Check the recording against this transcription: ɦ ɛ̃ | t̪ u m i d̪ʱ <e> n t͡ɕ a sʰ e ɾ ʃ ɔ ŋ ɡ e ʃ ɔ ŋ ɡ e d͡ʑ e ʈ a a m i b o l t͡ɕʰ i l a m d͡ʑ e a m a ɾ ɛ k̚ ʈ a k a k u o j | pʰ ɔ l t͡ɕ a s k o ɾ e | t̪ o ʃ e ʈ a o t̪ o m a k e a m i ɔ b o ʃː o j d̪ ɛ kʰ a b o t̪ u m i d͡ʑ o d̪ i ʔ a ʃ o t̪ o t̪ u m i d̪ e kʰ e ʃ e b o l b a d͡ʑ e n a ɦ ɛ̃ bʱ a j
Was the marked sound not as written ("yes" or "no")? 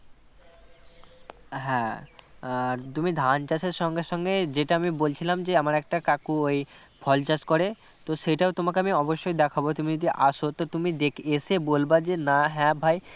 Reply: yes